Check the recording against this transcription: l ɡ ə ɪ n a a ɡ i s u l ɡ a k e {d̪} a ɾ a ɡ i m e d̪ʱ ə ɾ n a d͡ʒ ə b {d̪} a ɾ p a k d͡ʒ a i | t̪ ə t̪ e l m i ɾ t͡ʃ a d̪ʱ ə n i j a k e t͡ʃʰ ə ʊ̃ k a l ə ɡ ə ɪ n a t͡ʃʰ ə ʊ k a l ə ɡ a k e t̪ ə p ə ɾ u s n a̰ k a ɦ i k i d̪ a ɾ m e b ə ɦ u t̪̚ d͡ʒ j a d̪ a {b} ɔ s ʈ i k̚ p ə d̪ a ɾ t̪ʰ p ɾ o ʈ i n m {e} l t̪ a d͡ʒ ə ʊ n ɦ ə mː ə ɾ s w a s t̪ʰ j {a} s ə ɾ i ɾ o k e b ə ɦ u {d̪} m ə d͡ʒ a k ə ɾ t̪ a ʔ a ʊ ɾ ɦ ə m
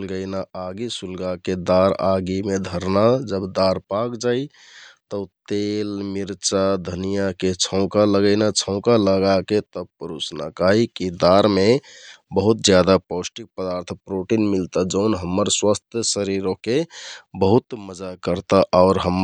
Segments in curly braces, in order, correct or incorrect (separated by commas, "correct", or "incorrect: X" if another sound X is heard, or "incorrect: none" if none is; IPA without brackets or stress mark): correct, correct, incorrect: p, incorrect: i, incorrect: ə, incorrect: t̪